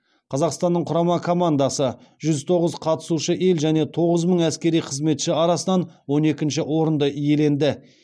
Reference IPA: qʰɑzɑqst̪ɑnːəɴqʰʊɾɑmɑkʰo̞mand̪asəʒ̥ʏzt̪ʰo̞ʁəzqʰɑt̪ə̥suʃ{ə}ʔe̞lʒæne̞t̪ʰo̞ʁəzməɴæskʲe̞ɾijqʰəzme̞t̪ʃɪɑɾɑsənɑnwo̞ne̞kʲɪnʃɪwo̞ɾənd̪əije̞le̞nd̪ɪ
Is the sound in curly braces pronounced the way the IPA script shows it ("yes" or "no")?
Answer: yes